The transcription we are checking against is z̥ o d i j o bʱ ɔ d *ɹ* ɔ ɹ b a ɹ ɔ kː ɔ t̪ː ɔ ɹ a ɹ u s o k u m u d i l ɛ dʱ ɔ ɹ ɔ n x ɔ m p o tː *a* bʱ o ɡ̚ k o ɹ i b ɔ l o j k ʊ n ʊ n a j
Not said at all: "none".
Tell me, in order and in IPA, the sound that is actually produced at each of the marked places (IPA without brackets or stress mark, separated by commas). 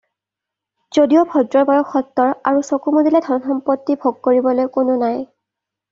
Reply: ɹ, i